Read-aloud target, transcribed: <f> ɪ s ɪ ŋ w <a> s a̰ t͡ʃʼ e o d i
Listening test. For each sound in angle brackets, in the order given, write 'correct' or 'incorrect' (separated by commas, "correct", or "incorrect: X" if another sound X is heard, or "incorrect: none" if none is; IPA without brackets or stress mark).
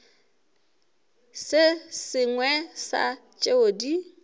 incorrect: s, incorrect: ɛ